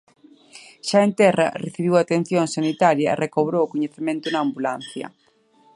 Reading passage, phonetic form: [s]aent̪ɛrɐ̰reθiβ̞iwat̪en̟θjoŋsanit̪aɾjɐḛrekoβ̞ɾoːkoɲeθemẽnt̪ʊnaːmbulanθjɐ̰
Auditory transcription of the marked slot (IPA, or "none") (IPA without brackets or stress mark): ʃ